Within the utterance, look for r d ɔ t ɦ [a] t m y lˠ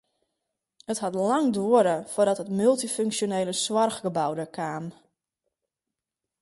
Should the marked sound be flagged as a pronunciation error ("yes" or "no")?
yes